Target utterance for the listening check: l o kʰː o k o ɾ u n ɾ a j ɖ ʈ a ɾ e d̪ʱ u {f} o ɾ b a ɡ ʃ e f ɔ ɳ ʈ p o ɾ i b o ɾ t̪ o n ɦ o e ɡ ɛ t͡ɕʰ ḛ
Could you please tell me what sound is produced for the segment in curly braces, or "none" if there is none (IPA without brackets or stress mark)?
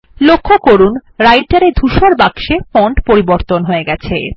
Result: ʃ